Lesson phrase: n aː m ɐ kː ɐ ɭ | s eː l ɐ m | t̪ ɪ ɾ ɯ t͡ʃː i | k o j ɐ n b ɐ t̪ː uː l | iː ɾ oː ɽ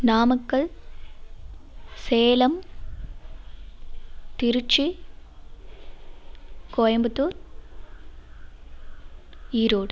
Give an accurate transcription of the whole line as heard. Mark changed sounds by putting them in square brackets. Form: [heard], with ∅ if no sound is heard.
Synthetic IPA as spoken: n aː m ɐ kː ɐ ɭ | s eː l ɐ m | t̪ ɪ ɾ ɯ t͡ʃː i | k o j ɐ [m] b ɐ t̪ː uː [ɾ] | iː ɾ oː ɽ